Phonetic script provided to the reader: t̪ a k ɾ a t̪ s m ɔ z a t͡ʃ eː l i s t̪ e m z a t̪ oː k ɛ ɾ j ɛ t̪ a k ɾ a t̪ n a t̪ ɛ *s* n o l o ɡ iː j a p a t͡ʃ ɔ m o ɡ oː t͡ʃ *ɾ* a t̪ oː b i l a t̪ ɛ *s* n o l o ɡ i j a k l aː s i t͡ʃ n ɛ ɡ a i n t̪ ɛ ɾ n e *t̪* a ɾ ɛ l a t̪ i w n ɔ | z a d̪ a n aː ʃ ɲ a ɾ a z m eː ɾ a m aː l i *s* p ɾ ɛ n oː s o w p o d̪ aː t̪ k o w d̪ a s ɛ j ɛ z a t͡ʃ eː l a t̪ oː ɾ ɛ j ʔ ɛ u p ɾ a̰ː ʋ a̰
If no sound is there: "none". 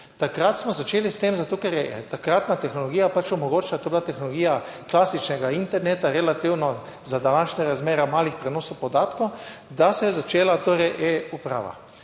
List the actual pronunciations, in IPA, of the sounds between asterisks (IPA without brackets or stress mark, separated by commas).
x, l, x, t̪, x